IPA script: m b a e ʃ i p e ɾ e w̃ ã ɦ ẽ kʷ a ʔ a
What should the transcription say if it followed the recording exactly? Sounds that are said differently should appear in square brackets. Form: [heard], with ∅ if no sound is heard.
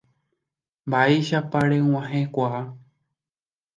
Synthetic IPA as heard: m b a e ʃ [a] p [a] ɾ e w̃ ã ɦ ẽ kʷ a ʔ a